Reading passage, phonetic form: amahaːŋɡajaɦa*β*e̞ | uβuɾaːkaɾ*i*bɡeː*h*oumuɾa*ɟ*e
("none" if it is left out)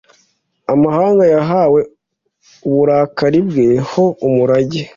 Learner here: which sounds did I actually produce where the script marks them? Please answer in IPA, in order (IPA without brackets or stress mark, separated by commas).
w, i, h, ɟ